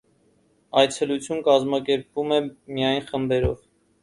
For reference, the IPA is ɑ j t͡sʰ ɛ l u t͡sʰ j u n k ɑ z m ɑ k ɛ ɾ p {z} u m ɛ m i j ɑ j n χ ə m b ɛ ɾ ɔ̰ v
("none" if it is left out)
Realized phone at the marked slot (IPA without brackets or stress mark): v